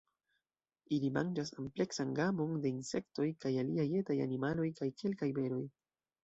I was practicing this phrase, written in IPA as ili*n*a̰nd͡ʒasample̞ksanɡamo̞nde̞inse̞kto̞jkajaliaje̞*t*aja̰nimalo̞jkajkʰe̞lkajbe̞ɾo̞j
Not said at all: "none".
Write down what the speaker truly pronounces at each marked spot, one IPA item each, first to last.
m, t

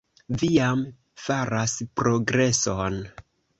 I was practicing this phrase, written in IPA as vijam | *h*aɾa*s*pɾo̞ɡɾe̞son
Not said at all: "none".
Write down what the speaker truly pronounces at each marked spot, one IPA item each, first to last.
f, s

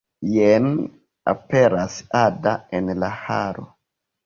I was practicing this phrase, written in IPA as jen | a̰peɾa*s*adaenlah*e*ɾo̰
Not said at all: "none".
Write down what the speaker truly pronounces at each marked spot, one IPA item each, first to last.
s, a

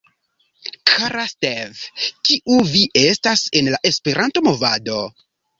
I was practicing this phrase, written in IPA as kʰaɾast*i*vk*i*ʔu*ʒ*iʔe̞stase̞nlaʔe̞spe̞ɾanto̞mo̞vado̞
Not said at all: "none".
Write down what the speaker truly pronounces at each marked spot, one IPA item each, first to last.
e, i, v

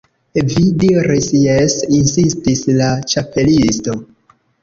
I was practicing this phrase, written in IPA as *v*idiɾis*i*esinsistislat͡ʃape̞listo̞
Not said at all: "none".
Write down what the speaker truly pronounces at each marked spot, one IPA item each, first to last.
v, j

